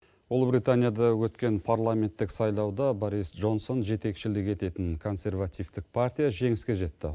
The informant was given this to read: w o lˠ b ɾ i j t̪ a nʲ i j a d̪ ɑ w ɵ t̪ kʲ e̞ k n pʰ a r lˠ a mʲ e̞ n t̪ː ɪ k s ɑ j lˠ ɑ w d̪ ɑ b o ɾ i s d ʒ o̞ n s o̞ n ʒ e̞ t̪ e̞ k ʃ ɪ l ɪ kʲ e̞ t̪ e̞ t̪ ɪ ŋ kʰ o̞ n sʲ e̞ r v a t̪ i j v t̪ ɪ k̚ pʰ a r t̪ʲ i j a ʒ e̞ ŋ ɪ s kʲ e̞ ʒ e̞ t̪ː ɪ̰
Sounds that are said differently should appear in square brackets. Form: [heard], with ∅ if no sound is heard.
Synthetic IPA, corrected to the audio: w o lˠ b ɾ i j t̪ a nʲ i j a d̪ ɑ w ɵ t̪ kʲ e̞ [∅] n pʰ a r lˠ a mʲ e̞ n t̪ː ɪ k s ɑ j lˠ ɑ w d̪ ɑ b o ɾ i s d ʒ o̞ n s o̞ n ʒ e̞ t̪ e̞ k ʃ ɪ l ɪ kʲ e̞ t̪ e̞ t̪ ɪ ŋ kʰ o̞ n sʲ e̞ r v a t̪ i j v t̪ ɪ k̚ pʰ a r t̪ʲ i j a ʒ e̞ ŋ ɪ s kʲ e̞ ʒ e̞ t̪ː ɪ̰